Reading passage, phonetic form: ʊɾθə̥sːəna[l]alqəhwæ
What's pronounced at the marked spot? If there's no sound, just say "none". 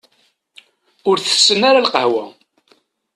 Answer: ɾ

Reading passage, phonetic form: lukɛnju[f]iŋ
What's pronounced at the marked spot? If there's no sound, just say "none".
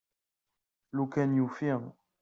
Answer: f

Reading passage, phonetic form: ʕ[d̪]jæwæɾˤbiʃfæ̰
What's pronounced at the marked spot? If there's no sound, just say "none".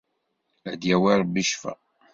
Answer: d̪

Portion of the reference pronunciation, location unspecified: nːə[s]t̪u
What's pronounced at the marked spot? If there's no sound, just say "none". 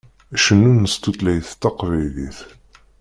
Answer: s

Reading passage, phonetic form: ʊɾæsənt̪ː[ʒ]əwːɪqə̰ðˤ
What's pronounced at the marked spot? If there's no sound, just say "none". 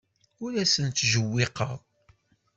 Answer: ʒ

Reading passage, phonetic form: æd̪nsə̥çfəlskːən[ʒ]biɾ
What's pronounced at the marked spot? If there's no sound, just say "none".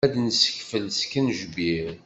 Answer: ʒ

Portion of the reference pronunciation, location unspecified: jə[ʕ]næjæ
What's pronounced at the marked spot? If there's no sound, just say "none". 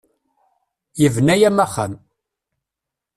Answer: v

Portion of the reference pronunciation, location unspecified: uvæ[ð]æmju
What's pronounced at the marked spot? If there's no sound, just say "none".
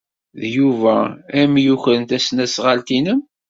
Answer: none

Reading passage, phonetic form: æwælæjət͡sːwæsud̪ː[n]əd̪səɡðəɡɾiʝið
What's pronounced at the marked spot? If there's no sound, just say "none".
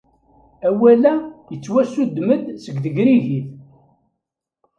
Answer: m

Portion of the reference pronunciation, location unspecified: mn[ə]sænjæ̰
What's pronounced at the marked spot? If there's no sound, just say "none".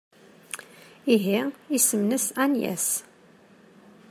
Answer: ə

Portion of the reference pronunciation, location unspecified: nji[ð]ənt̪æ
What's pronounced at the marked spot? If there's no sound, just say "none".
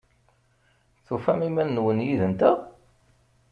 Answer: ð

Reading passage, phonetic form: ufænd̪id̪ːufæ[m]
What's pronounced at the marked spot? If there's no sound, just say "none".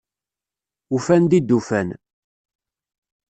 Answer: n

